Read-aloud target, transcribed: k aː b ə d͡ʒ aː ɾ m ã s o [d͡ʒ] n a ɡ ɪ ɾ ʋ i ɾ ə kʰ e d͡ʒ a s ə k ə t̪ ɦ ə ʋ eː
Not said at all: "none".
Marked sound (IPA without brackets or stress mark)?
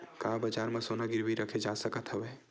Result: none